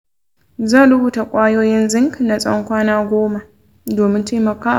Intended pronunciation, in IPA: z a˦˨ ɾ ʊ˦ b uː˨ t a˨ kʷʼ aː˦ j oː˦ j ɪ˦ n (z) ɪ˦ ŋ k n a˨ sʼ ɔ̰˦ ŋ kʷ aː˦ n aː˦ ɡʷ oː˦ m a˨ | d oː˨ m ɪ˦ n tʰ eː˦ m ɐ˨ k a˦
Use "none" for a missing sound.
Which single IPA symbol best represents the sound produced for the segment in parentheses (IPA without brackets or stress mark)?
z